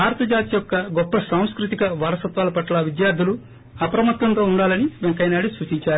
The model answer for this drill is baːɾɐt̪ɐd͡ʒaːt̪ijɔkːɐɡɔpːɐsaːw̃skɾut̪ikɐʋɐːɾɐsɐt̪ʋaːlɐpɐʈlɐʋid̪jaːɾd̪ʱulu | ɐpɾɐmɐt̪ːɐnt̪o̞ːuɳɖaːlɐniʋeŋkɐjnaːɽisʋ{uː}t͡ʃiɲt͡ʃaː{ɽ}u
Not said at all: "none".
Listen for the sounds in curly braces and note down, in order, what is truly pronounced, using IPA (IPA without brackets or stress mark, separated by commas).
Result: uː, ɾ